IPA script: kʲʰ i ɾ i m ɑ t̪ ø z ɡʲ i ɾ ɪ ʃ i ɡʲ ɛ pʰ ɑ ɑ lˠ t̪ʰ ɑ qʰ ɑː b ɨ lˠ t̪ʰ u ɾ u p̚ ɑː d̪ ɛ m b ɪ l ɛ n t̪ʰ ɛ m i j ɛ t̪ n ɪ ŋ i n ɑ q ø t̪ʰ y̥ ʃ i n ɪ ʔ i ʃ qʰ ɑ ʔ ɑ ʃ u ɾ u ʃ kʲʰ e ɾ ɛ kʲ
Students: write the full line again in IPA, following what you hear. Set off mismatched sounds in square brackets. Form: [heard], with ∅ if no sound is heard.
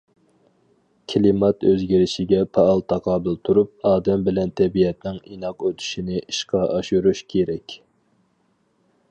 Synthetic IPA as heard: kʲʰ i [l] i m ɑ t̪ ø z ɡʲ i ɾ ɪ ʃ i ɡʲ ɛ pʰ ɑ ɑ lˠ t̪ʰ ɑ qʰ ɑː b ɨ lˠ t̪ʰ u ɾ u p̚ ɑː d̪ ɛ m b ɪ l ɛ n t̪ʰ ɛ [b] i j ɛ t̪ n ɪ ŋ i n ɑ q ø t̪ʰ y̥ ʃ i n ɪ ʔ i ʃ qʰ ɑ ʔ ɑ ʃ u ɾ u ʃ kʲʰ e ɾ ɛ kʲ